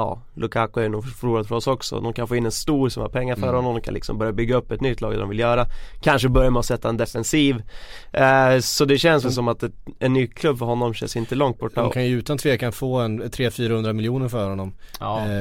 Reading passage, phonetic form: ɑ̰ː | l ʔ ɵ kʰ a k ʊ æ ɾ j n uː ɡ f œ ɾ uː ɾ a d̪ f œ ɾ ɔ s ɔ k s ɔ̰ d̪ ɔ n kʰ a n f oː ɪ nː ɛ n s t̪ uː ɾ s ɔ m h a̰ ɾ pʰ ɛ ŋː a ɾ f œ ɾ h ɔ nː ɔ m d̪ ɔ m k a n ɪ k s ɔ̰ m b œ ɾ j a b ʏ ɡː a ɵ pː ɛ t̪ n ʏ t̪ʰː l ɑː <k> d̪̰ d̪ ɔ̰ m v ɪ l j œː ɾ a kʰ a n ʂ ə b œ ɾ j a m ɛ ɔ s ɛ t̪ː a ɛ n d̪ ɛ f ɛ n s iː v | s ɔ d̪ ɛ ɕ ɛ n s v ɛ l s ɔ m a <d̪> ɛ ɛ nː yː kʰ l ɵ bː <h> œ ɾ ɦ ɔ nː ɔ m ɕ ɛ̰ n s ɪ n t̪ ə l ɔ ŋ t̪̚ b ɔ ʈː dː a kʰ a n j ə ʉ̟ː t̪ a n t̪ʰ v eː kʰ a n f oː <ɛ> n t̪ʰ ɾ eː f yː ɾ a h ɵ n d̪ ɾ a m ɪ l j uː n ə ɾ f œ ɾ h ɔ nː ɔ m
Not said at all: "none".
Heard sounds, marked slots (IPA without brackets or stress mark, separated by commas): ɡ, t̪, f, ɛ